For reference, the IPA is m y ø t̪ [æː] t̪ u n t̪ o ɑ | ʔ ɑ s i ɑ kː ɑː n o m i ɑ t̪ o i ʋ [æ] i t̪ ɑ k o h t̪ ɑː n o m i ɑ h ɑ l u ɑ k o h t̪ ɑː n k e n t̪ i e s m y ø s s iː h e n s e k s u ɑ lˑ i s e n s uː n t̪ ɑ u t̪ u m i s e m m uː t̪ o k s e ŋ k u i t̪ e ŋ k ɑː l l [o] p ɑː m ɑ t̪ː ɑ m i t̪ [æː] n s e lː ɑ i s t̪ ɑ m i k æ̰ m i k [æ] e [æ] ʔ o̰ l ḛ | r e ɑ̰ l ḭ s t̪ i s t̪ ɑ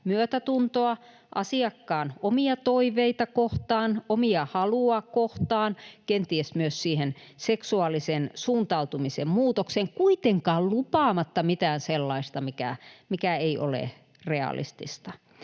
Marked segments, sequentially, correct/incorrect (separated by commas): incorrect, incorrect, incorrect, correct, correct, incorrect